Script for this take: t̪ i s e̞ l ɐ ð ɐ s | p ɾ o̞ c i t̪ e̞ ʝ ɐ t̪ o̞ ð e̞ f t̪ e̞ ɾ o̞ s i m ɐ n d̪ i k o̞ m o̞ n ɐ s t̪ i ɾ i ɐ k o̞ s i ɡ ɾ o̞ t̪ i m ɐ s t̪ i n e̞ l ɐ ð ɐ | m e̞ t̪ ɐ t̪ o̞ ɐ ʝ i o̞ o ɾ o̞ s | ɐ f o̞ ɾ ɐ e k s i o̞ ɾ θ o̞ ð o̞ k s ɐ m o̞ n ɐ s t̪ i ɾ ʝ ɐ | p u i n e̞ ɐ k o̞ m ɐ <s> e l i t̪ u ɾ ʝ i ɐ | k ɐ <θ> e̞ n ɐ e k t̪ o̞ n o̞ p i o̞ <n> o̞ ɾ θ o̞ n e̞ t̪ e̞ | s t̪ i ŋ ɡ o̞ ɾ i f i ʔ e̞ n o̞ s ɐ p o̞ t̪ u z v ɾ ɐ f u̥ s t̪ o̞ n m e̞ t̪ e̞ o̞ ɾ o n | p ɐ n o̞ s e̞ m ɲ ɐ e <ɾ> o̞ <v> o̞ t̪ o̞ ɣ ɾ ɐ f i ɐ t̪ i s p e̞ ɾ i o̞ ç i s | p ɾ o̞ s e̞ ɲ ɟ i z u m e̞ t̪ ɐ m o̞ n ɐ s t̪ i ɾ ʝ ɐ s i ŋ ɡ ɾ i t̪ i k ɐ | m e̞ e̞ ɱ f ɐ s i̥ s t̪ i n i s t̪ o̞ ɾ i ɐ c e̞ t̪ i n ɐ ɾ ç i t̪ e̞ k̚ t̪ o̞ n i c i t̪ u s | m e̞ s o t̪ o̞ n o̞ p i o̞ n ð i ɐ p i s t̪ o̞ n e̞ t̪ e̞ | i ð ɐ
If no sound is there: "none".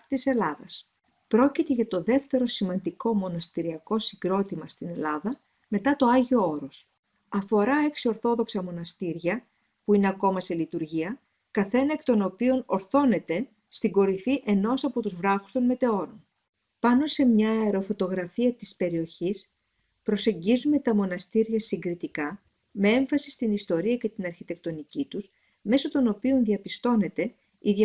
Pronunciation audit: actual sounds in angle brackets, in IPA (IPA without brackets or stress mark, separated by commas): s, θ, n, ɾ, f